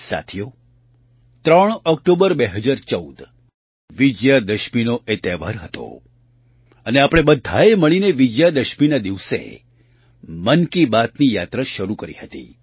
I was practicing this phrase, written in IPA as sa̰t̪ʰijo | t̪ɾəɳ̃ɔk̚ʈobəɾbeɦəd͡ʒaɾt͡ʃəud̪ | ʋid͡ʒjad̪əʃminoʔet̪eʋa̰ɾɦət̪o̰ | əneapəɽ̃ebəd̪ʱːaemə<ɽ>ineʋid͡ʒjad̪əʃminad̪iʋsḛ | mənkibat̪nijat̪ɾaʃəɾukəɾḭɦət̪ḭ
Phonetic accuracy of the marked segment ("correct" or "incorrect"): incorrect